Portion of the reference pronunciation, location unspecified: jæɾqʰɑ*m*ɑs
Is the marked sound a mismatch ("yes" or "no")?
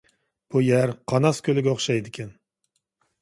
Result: yes